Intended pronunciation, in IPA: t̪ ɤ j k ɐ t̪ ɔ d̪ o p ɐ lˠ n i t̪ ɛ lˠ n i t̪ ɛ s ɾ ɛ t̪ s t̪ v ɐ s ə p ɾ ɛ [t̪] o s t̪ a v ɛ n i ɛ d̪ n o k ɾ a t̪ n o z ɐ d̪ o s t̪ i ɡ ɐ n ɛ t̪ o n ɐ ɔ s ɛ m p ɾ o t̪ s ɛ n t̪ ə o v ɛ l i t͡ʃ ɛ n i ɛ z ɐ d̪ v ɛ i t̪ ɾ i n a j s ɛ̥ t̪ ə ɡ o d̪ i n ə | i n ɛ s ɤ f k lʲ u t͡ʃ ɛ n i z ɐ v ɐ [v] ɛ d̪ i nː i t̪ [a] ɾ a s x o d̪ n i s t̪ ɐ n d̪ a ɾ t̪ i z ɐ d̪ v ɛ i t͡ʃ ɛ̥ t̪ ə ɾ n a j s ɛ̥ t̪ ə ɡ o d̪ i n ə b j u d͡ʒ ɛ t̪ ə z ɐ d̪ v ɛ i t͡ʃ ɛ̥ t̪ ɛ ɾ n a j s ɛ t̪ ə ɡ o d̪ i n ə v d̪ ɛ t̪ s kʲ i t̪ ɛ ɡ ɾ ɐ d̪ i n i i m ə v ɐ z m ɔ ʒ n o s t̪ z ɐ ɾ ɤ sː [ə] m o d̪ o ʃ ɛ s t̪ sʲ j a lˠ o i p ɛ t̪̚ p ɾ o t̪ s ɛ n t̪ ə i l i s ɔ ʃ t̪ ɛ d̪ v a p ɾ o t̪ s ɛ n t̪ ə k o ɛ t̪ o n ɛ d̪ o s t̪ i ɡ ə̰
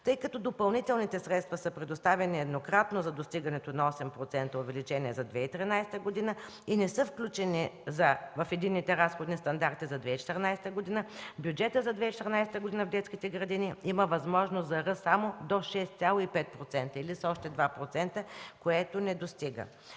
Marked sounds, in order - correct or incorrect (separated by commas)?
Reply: incorrect, incorrect, incorrect, incorrect